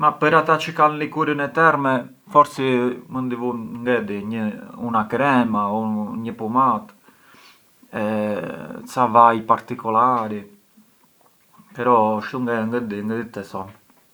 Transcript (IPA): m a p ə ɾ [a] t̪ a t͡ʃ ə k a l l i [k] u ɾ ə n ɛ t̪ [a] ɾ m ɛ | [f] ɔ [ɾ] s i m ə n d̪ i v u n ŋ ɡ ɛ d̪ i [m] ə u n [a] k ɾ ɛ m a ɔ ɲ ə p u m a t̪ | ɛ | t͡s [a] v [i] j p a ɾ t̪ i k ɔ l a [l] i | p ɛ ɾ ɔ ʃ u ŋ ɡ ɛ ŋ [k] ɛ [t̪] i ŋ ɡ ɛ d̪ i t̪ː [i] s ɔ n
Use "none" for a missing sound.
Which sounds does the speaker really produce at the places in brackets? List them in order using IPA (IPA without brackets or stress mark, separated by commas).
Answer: a, k, ɛ, f, ɾ, ɲ, a, a, a, ɾ, ɡ, d̪, ɛ